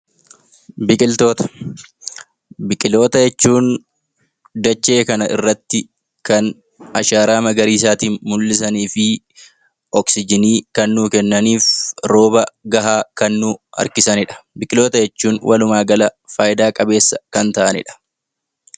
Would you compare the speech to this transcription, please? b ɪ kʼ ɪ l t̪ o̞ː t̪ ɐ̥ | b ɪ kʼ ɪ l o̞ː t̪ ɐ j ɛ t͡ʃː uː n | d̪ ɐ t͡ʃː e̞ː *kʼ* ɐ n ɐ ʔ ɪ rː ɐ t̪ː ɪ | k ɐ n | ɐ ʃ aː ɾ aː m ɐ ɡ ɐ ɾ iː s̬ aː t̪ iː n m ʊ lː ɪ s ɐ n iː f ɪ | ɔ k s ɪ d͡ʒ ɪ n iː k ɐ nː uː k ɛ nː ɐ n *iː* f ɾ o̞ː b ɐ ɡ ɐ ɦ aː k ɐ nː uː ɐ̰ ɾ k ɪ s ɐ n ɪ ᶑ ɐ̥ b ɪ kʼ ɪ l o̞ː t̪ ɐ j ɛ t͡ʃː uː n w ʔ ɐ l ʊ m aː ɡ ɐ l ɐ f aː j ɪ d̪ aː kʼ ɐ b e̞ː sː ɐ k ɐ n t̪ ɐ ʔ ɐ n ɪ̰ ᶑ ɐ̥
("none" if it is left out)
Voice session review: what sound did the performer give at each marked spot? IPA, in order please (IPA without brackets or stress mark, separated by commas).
k, iː